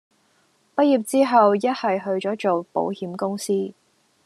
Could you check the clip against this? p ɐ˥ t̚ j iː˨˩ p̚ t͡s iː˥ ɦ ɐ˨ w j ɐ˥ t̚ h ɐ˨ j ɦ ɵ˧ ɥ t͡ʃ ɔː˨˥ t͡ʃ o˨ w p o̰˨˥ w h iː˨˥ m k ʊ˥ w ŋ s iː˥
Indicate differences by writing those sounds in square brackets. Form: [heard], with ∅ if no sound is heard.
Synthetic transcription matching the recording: p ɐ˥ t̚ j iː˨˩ p̚ t͡s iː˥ ɦ ɐ˨ w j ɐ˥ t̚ h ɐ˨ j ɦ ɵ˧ ɥ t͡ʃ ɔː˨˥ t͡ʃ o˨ w p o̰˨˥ w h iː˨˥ m k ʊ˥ [∅] ŋ s iː˥